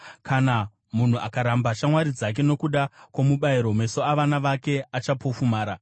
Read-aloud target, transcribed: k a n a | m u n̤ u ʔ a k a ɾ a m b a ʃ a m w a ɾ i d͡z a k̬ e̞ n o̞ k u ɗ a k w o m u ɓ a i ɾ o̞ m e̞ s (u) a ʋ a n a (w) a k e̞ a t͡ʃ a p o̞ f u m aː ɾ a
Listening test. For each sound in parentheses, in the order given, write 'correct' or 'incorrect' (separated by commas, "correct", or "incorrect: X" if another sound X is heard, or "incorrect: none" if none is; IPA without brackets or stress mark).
incorrect: o, incorrect: ʋ